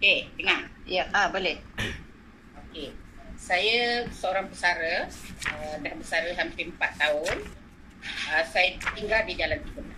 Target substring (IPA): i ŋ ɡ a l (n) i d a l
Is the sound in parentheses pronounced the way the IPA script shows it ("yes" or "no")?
no